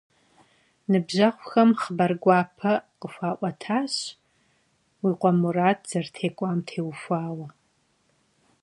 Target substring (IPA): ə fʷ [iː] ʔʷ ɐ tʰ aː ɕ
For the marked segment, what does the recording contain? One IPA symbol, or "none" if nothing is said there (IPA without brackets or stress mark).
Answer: aː